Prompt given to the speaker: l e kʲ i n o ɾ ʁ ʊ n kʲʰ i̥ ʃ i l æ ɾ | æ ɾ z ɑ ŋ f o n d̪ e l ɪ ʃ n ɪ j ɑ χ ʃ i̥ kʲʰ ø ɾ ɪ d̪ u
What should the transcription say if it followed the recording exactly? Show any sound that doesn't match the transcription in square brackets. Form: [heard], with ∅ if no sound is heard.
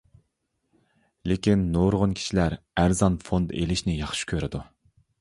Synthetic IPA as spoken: l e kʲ i [nː] o ɾ ʁ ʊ n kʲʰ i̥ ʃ i l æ ɾ | æ ɾ z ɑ [n] f o n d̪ e l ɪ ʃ n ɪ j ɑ χ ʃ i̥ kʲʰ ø ɾ ɪ d̪ u